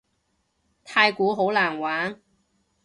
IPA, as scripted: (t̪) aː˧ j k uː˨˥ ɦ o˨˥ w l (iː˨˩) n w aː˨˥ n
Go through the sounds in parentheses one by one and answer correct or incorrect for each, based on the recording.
incorrect: t̪ʰ, incorrect: aː˨˩

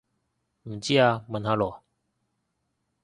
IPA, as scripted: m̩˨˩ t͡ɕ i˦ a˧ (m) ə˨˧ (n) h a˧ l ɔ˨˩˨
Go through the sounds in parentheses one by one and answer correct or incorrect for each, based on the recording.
correct, correct

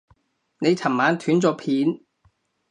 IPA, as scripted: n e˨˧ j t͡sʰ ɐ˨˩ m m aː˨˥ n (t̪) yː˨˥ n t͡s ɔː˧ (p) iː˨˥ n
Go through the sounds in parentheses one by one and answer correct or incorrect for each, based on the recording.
incorrect: t̪ʰ, incorrect: pʰ

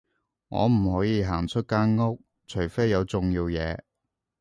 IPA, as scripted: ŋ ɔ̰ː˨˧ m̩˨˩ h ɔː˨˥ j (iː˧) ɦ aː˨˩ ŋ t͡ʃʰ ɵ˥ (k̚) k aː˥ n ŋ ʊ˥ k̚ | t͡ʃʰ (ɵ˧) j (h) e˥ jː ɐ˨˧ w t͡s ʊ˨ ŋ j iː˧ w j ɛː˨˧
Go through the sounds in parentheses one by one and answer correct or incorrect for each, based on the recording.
correct, incorrect: t̚, incorrect: ɵ˨˩, incorrect: f

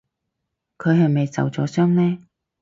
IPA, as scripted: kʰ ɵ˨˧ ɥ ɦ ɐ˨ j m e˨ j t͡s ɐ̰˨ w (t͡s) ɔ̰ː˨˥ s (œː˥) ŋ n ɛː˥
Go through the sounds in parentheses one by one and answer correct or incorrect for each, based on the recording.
correct, correct

